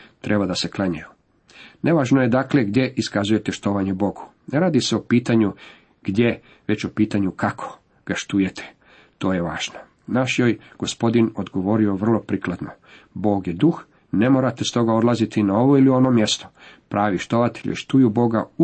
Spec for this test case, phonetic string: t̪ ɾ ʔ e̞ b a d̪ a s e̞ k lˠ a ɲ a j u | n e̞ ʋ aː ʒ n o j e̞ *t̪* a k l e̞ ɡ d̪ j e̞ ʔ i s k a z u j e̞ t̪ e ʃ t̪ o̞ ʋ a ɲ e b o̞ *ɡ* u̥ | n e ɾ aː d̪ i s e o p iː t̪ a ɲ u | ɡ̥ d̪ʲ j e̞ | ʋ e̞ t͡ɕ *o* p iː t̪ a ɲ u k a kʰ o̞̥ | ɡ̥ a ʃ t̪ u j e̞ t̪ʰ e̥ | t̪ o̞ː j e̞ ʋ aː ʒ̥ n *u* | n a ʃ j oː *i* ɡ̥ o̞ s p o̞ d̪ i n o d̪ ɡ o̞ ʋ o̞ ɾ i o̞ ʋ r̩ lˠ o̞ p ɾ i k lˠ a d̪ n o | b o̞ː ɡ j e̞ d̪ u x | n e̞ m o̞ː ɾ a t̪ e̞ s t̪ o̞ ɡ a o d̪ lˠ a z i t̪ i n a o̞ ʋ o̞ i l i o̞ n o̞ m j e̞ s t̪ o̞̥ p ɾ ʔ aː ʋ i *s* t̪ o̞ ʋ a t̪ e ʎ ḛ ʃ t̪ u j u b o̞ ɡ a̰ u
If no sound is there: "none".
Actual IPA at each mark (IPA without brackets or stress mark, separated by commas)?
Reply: d̪, ɡ, o, o, j, ʃ